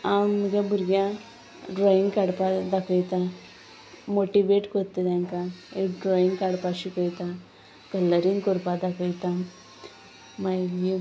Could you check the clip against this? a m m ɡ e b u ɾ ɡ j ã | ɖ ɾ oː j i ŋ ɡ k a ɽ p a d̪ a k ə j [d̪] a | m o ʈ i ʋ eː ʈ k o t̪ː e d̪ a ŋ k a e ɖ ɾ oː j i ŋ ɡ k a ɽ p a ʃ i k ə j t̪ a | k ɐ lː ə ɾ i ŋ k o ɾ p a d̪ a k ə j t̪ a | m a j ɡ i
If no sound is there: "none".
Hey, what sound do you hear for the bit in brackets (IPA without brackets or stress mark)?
t̪